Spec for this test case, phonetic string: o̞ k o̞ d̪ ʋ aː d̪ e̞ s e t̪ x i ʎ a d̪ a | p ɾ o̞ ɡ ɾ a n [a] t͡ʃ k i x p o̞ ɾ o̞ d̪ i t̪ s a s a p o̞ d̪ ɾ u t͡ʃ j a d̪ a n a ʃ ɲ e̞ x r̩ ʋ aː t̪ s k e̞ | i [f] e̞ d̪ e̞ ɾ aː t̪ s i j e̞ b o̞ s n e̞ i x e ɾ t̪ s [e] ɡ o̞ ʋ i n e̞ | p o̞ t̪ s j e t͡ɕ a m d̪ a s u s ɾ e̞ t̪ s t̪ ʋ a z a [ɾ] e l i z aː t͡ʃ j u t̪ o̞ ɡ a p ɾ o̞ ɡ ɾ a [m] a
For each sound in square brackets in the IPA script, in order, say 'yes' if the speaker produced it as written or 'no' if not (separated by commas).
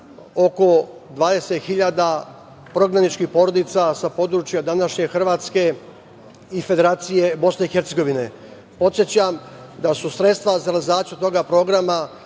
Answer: no, yes, yes, yes, yes